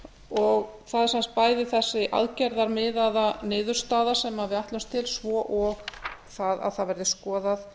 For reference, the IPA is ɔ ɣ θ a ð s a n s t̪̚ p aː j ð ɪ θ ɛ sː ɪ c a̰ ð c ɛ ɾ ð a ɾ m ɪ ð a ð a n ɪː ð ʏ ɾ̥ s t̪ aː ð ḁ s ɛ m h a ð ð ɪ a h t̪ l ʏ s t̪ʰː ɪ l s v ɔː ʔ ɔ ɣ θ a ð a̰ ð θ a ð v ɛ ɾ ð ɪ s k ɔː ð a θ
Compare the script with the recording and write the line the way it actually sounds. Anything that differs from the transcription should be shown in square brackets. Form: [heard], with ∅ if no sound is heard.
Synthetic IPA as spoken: ɔ ɣ θ a ð s a n s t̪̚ p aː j ð ɪ θ ɛ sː ɪ [ʔ] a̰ ð c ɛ ɾ ð a ɾ m ɪ ð a ð a n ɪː ð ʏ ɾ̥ s t̪ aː ð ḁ s ɛ m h a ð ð ɪ a h t̪ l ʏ s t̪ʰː ɪ l s v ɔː ʔ ɔ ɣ θ a ð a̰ ð θ a ð v ɛ ɾ ð ɪ s k ɔː ð a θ